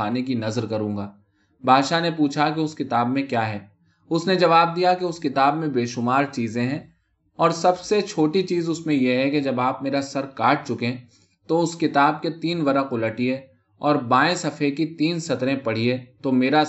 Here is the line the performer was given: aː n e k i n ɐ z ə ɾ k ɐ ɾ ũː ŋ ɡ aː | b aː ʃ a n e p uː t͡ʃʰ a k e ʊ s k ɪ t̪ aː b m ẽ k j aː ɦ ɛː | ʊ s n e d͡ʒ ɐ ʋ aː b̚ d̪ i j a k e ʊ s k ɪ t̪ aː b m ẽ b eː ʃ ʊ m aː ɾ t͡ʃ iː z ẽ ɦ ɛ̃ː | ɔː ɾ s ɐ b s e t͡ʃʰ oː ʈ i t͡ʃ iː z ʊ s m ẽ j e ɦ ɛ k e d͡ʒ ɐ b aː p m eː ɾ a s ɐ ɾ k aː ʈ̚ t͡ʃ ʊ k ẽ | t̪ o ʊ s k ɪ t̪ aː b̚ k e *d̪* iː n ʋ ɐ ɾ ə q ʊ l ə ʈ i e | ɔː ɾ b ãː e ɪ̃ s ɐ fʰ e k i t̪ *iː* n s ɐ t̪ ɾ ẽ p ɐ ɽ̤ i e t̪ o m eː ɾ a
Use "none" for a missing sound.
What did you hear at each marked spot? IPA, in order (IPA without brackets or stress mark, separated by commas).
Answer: t̪, iː